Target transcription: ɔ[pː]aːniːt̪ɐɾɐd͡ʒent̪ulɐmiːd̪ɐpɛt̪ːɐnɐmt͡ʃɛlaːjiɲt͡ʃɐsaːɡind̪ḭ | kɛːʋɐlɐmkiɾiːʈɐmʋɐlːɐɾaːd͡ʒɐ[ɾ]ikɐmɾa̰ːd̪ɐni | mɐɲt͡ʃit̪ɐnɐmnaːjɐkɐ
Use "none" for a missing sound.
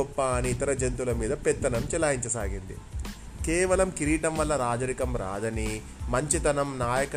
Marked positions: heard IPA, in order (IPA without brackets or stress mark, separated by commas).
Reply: pː, ɾ